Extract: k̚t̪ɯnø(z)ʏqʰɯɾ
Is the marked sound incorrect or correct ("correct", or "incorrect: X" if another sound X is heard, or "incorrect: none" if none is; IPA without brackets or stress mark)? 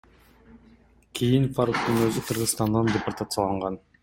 correct